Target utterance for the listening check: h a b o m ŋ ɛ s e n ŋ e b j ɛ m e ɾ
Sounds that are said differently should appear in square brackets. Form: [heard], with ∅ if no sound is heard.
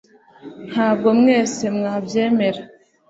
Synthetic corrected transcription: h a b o m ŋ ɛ s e [m] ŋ [a] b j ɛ m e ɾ